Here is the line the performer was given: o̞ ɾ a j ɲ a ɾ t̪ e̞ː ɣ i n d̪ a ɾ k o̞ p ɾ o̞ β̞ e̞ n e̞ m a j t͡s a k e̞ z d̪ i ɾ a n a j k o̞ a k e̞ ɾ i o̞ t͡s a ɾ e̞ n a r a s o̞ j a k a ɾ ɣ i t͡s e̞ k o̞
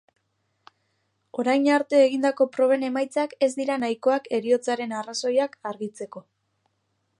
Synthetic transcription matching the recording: o̞ ɾ a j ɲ a ɾ t̪ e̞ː ɣ i n d̪ a k o̞ p ɾ o̞ β̞ e̞ n e̞ m a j t͡s a k e̞ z d̪ i ɾ a n a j k o̞ a k e̞ ɾ i o̞ t͡s a ɾ e̞ n a r a s o̞ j a k a ɾ ɣ i t͡s e̞ k o̞